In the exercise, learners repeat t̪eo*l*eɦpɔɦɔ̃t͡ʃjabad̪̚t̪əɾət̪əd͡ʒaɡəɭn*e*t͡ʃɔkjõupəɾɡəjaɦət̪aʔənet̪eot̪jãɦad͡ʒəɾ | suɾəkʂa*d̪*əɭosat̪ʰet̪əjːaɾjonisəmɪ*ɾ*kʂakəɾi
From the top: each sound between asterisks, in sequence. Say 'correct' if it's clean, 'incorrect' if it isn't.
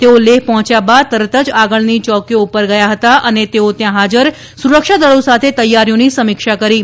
correct, incorrect: i, correct, incorrect: none

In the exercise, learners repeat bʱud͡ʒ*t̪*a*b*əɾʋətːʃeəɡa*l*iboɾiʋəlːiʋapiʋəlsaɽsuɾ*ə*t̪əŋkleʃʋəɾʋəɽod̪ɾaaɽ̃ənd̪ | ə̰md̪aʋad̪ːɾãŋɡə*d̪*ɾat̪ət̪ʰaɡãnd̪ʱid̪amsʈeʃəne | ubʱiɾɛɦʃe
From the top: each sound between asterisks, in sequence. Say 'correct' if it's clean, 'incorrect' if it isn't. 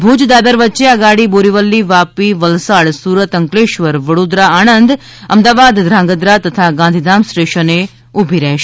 incorrect: d̪, correct, incorrect: ɽ, correct, correct

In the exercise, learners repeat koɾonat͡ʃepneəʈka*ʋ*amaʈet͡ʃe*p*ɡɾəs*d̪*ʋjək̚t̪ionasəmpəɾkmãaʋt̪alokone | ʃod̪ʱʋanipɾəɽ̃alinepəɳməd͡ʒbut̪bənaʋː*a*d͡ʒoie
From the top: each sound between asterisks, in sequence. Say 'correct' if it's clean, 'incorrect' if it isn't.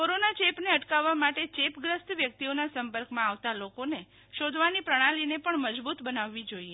incorrect: ʋː, correct, incorrect: t̪, incorrect: i

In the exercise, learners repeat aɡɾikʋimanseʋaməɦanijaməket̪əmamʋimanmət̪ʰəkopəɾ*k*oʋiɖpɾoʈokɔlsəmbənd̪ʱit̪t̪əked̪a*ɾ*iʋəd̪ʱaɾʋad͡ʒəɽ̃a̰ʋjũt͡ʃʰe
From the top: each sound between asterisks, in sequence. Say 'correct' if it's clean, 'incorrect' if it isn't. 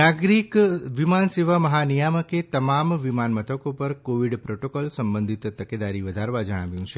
correct, correct

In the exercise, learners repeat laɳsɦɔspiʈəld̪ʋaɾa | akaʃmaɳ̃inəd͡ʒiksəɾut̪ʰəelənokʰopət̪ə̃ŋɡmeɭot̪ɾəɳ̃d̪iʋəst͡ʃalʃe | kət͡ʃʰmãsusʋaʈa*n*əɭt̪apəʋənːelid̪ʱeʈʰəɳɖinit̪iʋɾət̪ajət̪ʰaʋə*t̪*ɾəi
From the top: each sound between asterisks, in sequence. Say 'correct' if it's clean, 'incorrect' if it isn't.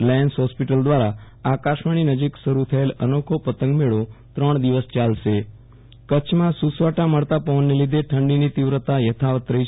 incorrect: m, correct

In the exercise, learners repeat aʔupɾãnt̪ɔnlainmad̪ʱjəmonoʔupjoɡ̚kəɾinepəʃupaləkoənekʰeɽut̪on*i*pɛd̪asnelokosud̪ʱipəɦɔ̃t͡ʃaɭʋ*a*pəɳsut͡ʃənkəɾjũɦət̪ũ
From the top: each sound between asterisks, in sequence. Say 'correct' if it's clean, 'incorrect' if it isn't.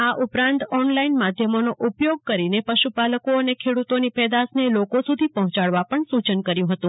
correct, correct

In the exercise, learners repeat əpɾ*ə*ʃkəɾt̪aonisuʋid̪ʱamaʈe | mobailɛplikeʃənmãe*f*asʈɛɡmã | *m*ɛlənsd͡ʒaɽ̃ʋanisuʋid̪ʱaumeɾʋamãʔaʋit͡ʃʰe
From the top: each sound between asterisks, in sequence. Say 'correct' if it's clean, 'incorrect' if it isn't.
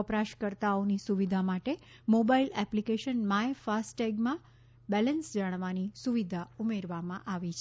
incorrect: a, correct, incorrect: b

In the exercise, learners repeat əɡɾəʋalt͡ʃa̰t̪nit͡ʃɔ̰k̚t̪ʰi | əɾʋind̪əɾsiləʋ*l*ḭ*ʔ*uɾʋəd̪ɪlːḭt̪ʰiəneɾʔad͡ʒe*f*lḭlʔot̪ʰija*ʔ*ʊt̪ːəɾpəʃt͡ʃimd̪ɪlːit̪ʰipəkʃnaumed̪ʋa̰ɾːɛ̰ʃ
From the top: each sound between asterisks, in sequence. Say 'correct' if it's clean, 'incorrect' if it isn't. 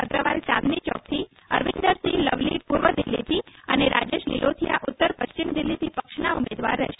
correct, incorrect: p, incorrect: ʃ, correct

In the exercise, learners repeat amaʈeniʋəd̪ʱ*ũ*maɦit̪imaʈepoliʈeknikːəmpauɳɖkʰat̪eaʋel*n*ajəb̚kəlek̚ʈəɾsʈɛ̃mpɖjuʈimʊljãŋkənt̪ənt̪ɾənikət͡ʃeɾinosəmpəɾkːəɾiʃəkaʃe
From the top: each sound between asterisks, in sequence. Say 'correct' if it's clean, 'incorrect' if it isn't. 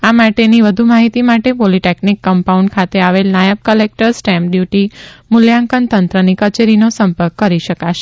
incorrect: u, correct

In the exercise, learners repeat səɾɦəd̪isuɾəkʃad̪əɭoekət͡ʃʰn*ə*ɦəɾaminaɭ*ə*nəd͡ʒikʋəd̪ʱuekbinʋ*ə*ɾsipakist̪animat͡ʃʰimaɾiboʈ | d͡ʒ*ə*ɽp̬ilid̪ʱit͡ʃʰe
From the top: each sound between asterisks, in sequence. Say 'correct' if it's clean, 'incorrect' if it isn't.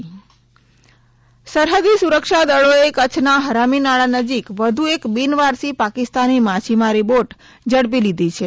incorrect: a, incorrect: a, incorrect: a, correct

